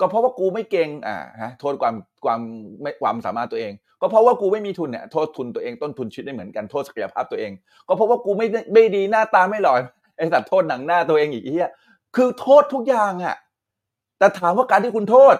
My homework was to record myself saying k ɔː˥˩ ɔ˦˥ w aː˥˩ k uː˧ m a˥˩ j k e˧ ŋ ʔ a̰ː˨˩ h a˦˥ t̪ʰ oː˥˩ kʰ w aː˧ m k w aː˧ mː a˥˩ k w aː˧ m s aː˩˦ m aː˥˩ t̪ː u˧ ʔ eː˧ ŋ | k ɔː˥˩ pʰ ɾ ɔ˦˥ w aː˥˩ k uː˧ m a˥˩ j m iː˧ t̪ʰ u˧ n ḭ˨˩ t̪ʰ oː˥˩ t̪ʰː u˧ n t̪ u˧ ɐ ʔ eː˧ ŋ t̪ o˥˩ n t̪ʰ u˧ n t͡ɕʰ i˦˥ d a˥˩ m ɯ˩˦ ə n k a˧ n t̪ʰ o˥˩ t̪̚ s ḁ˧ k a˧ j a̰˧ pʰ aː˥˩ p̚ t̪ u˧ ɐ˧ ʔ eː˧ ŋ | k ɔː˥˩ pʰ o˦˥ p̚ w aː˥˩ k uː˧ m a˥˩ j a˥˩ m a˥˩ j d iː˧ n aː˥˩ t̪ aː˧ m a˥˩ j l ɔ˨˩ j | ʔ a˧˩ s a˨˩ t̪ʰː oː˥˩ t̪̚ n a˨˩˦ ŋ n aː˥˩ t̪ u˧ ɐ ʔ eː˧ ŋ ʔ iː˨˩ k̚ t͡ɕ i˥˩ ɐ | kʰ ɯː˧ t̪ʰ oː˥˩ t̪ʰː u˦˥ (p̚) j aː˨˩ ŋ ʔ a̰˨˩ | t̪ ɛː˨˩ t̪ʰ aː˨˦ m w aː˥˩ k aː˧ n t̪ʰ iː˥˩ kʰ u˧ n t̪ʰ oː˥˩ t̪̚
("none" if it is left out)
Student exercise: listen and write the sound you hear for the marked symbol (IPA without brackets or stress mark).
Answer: k̚